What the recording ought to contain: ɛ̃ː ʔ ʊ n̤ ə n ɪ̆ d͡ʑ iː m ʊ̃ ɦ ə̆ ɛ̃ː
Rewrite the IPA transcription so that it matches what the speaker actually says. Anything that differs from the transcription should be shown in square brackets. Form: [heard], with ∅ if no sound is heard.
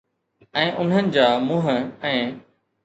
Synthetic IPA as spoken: ɛ̃ː ʔ ʊ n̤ ə n ɪ̆ d͡ʑ [aː] m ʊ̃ ɦ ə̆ ɛ̃ː